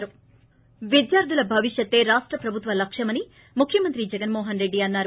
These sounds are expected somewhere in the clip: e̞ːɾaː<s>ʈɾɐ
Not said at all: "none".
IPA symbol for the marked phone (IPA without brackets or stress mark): ʂ